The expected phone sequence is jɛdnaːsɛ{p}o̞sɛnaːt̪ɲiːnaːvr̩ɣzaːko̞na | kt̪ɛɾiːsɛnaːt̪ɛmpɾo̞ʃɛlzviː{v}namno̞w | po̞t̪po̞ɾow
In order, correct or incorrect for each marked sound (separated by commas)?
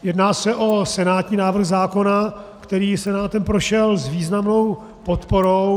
incorrect, incorrect